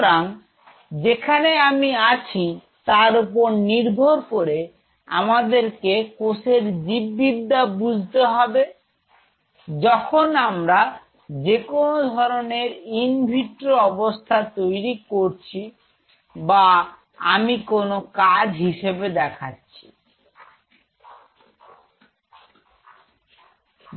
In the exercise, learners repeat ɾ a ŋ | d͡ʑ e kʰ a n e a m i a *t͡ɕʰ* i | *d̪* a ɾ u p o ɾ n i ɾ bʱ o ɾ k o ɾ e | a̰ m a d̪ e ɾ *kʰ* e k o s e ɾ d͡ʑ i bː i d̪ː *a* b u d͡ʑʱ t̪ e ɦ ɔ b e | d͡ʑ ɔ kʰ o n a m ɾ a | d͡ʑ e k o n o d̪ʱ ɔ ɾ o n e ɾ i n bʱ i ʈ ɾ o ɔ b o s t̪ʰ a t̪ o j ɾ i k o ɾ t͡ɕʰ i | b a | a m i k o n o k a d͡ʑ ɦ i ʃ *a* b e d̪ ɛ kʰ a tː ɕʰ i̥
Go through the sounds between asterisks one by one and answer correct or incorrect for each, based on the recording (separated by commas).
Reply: correct, incorrect, incorrect, correct, incorrect